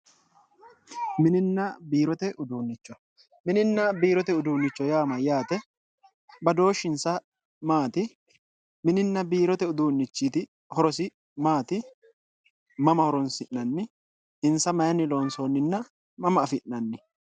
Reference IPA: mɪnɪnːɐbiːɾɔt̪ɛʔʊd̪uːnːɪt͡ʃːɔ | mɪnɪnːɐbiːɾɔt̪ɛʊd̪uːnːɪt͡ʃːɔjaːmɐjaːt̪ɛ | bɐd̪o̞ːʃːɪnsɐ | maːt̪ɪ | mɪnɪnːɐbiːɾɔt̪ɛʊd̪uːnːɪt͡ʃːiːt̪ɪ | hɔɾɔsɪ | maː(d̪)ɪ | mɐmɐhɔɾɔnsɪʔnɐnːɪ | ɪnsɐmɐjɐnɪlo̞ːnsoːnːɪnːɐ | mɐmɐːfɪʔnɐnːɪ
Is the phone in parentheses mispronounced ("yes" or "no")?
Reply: yes